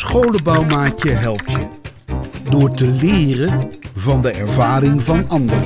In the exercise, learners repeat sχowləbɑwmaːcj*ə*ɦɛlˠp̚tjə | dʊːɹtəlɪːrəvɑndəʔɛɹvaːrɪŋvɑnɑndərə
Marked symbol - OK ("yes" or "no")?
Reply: yes